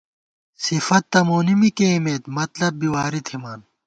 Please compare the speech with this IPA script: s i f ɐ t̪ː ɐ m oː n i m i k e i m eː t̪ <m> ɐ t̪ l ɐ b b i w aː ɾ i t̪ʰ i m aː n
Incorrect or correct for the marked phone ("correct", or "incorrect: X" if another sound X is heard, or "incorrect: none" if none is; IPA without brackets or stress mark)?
correct